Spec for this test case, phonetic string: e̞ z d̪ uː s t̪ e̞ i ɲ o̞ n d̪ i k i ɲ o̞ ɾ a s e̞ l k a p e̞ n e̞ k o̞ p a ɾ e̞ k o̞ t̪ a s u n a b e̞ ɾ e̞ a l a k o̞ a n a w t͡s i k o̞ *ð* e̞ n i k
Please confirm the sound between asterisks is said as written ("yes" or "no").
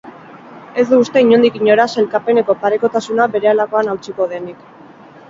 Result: yes